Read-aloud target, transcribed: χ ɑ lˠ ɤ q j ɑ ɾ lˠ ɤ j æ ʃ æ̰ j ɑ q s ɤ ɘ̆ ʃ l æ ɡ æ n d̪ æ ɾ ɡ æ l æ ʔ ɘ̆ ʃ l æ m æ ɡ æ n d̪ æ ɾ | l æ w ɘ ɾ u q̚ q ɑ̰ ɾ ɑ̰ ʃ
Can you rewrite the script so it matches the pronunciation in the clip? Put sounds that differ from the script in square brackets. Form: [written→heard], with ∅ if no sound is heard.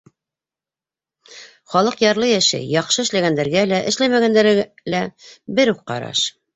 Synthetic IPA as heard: χ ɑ lˠ ɤ q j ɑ ɾ lˠ ɤ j æ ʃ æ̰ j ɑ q [s→ʃ] ɤ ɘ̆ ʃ l æ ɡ æ n d̪ æ ɾ ɡ æ l æ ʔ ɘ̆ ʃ l æ m æ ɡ æ n d̪ æ ɾ | l æ [w→b] ɘ ɾ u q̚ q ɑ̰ ɾ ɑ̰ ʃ